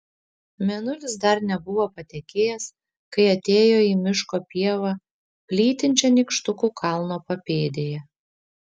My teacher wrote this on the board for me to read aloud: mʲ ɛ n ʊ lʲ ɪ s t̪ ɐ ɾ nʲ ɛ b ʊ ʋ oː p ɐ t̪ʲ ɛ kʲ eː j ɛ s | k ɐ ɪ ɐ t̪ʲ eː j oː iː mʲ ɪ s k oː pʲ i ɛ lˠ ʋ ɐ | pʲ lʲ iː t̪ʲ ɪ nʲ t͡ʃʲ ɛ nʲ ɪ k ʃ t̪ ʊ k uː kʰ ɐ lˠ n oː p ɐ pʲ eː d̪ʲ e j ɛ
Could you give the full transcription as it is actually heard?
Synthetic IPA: mʲ ɛ n ʊ lʲ ɪ s d̪ ɐ ɾ nʲ ɛ b ʊ ʋ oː p ɐ t̪ʲ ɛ kʲ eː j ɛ s | k ɐ ɪ ɐ t̪ʲ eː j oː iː mʲ ɪ ʃ k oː pʲ i ɛ ʋ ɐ | pʲ lʲ iː t̪ʲ ɪ nʲ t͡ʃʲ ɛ nʲ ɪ k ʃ t̪ ʊ k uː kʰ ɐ lˠ n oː p ɐ pʲ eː d̪ʲ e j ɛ

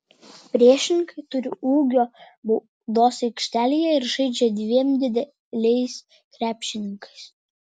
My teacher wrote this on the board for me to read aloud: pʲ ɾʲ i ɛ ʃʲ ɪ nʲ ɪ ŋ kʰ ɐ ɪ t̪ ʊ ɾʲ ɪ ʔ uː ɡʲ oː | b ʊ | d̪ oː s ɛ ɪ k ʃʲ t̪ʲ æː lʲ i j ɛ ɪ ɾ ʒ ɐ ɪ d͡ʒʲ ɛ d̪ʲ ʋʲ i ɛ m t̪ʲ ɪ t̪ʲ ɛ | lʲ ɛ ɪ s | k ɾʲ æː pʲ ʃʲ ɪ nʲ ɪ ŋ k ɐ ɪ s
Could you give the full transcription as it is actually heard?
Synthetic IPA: pʲ ɾʲ i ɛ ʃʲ ɪ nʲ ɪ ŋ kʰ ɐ ɪ t̪ ʊ ɾʲ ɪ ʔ uː ɡʲ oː | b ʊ | d̪ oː s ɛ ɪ k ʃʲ t̪ʲ æː lʲ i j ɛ ɪ ɾ ʒ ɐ ɪ d͡ʒʲ ɛ d̪ʲ ʋʲ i ɛ m d̪ʲ ɪ d̪ʲ ɛ | lʲ ɛ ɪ s | k ɾʲ æː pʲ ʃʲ ɪ nʲ ɪ ŋ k ɐ ɪ s

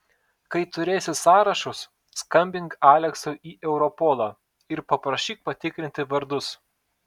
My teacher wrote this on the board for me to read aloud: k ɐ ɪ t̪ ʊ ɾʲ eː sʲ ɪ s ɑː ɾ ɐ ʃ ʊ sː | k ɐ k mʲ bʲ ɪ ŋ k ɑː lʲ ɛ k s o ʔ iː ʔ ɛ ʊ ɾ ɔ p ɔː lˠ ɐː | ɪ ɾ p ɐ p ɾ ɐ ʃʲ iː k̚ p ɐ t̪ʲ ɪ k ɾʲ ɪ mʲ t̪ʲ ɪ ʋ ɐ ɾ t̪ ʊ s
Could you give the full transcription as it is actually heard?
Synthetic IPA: k ɐ ɪ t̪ ʊ ɾʲ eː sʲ ɪ s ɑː ɾ ɐ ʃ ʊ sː | k ɐ mʲ bʲ ɪ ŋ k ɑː lʲ ɛ k s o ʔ iː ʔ ɛ ʊ ɾ ɔ p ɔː lˠ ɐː | ɪ ɾ p ɐ p ɾ ɐ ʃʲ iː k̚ p ɐ t̪ʲ ɪ k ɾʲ ɪ nʲ t̪ʲ ɪ ʋ ɐ ɾ d̪ ʊ s

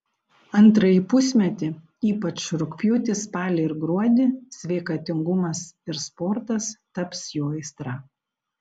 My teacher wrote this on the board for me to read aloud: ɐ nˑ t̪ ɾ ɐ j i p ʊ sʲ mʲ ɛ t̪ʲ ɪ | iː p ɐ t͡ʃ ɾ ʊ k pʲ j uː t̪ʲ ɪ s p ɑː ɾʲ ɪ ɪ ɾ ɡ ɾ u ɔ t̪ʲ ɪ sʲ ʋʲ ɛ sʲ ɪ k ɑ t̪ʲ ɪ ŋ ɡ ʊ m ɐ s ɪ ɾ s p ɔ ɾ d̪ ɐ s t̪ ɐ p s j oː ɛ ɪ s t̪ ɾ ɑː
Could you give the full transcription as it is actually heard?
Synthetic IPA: ɐ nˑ t̪ ɾ ɐ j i p ʊ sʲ mʲ ɛ t̪ʲ ɪ | iː p ɐ t͡ʃ ɾ ʊ k pʲ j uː t̪ʲ ɪ s p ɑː lʲ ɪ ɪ ɾ ɡ ɾ u ɔ d̪ʲ ɪ sʲ ʋʲ ɛ ɪ k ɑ t̪ʲ ɪ ŋ ɡ ʊ m ɐ s ɪ ɾ s p ɔ ɾ t̪ ɐ s t̪ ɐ p s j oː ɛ ɪ s t̪ ɾ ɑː

